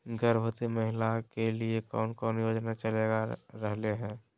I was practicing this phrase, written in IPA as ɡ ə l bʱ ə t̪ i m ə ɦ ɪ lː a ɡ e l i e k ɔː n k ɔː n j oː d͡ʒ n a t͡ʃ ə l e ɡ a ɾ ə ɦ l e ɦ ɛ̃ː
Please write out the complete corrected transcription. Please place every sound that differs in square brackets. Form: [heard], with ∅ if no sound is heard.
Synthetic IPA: ɡ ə [ɾ] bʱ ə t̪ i m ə ɦ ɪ [l] a [k] e l i e k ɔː n k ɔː n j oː d͡ʒ n a t͡ʃ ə l e ɡ a ɾ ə ɦ l e ɦ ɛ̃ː